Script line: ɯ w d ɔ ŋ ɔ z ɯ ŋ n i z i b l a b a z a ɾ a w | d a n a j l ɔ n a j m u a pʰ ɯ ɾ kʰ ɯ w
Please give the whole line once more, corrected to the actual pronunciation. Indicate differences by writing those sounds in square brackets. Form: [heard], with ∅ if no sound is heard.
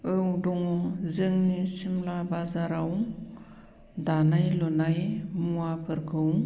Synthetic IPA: ɯ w d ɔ ŋ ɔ z ɯ ŋ n i [s] i [m] l a b a z a ɾ a w | d a n a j l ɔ n a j m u a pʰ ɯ ɾ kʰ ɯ w

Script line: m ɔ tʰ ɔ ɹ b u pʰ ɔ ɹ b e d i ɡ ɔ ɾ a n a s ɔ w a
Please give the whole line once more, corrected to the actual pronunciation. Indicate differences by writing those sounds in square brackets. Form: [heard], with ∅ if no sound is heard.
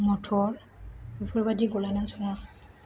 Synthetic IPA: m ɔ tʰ ɔ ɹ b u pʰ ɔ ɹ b [a] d i ɡ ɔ [l] a n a s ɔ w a

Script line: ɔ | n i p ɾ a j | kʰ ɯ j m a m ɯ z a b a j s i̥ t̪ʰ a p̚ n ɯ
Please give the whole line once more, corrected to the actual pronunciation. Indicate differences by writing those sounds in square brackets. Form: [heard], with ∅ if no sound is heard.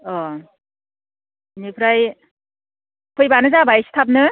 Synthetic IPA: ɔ | n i [pʰ] ɾ a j | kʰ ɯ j [b] a [n] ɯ z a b a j s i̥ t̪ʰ a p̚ n ɯ

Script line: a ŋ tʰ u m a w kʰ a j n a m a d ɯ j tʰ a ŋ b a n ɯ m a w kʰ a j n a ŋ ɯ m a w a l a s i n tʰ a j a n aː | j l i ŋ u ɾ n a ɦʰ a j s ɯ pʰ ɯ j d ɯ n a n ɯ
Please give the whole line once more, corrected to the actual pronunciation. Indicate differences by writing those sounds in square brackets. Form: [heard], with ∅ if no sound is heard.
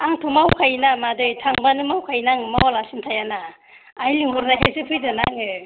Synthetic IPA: a ŋ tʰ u m a w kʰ a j n a m a d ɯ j tʰ a ŋ b a n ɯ m a w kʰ a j n a ŋ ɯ m a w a l a s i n tʰ a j a n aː | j l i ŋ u ɾ n a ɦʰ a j s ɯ pʰ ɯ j d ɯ n a [ŋ] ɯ

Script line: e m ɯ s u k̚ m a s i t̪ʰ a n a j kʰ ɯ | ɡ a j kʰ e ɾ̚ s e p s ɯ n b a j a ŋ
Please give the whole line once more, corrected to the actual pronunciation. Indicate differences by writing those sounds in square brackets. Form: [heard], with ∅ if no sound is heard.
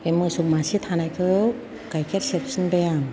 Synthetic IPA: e m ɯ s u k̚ m a s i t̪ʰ a n a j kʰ ɯ | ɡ a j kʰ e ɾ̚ s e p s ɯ n b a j a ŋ

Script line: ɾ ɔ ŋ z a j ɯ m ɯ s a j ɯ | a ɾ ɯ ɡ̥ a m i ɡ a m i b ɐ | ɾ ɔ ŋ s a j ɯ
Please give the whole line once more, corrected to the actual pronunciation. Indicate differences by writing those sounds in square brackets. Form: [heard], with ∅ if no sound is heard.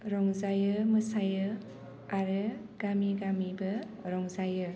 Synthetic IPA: ɾ ɔ ŋ z a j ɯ m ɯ s a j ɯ | a ɾ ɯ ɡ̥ a m i ɡ a m i b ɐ | ɾ ɔ ŋ [z] a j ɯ

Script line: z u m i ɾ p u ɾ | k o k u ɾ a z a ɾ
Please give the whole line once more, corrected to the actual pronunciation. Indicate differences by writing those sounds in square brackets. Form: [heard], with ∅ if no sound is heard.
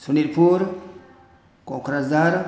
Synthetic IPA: [s] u [n] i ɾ p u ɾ | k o k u ɾ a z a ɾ

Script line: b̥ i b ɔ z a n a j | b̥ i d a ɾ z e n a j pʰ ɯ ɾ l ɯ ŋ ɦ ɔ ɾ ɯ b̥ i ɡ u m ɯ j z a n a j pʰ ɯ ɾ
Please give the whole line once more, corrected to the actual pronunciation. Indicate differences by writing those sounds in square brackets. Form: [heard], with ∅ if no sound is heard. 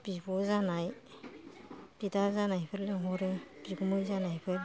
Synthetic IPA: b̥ i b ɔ z a n a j | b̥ i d a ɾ z [a] n a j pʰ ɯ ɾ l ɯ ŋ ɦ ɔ ɾ ɯ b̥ i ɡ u m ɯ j z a n a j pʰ ɯ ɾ

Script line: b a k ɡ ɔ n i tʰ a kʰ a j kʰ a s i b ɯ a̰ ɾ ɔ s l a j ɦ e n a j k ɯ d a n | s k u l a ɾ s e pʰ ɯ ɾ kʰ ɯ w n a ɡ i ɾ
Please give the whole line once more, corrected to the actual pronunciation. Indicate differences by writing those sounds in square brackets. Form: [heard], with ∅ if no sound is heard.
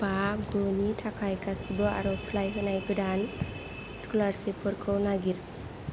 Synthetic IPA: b a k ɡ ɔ n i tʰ a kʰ a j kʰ a s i b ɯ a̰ ɾ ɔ s l a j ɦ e n a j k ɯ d a n | s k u l a ɾ s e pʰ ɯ ɾ kʰ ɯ w n a ɡ i ɾ

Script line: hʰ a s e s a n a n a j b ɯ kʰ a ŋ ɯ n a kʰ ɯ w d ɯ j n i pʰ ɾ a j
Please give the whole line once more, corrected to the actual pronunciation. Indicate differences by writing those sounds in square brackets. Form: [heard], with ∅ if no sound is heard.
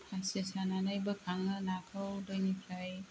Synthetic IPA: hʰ a s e s a n a n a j b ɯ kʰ a ŋ ɯ n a kʰ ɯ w d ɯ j n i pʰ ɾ a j

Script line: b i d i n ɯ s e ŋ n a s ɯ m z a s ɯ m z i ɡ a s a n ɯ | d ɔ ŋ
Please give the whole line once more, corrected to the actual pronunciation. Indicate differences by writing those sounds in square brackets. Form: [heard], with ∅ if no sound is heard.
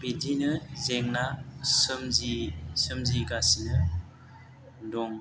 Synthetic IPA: b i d i n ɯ [z] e ŋ n a s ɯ m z [i] s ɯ m z i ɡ a s [i] n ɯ | d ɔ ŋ

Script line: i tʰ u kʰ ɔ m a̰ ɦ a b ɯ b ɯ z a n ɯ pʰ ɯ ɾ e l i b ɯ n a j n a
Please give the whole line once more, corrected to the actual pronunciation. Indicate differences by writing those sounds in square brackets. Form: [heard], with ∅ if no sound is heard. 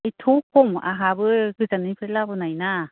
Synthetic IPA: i tʰ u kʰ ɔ m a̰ ɦ a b ɯ [ɡ] ɯ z a n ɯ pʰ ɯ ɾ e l [a] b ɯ n a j n a

